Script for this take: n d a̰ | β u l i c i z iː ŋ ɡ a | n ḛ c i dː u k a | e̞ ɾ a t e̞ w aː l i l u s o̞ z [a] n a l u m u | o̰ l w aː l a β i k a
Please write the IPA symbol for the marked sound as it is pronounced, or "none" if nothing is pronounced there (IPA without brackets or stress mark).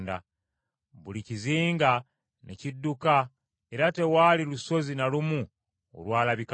i